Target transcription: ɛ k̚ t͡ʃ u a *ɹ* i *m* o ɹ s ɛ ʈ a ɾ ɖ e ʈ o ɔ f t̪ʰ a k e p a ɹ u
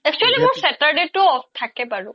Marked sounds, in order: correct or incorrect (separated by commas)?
incorrect, correct